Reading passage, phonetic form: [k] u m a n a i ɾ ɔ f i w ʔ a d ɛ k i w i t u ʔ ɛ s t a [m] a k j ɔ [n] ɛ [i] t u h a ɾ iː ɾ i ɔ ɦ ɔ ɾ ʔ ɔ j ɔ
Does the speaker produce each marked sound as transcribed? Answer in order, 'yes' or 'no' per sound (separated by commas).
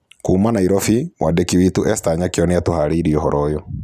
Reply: yes, no, yes, no